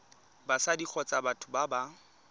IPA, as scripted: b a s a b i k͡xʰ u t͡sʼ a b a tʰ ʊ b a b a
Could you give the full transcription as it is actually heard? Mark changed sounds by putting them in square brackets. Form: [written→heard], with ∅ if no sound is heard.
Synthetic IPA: b a s a [b→d] i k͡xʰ [u→ɔ] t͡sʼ a b a tʰ ʊ b a b a